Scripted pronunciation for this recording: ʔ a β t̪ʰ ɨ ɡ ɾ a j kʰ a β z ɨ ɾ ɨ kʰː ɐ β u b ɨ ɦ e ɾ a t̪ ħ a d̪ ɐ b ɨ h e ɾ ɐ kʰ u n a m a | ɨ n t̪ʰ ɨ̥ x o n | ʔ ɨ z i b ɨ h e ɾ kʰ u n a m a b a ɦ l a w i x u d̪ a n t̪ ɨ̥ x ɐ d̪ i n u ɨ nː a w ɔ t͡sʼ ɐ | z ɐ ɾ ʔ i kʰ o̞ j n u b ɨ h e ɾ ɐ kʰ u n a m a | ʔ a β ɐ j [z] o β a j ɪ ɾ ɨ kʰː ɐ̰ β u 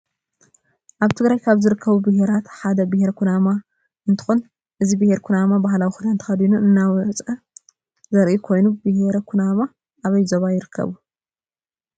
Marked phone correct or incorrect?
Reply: correct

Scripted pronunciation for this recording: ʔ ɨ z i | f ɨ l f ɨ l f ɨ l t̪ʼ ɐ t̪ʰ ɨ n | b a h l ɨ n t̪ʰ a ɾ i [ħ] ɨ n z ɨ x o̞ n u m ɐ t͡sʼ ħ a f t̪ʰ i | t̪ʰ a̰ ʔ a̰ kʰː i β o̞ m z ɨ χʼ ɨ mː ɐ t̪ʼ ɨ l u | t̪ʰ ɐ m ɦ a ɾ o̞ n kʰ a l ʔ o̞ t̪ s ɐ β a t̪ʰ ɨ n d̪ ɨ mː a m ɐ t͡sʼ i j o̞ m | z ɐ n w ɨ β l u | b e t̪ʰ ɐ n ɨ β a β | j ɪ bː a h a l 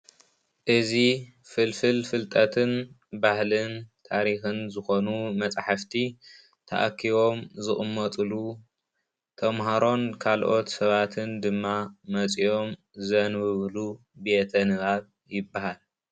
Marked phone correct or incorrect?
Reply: incorrect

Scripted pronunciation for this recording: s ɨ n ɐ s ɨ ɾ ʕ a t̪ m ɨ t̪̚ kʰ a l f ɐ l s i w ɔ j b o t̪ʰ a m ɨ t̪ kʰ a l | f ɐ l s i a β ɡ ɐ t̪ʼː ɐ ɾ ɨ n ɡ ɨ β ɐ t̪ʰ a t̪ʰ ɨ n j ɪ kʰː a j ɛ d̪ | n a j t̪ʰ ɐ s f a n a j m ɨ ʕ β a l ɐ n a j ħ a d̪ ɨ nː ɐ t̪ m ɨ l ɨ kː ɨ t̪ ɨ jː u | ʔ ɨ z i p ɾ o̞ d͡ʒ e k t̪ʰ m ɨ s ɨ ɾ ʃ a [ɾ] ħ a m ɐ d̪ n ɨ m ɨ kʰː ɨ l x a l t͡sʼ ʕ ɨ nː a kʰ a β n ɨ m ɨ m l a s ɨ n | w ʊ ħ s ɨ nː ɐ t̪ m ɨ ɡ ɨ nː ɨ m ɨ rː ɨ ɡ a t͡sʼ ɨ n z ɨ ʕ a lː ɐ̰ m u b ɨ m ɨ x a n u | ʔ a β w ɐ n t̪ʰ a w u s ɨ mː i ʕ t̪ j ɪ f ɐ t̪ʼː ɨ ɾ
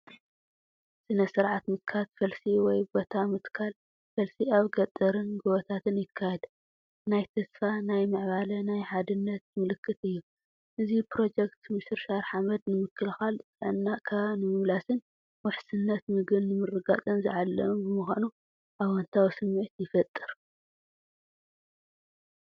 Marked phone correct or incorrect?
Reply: correct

